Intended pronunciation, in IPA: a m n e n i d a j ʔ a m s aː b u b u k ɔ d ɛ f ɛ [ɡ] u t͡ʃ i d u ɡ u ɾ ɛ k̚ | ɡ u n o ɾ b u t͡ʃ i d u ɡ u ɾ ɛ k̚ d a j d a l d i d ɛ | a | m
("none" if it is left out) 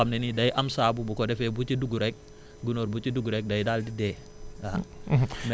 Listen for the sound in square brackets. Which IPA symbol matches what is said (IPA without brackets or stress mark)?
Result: b